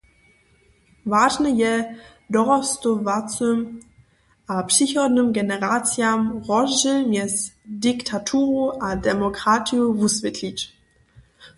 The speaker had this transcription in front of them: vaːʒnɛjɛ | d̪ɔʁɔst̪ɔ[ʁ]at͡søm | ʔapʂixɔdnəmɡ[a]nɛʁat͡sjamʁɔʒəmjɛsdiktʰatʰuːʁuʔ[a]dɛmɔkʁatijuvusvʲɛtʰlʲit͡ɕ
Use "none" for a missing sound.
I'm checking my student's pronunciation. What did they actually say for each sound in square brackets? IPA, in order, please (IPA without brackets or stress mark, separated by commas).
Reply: v, ɛ, a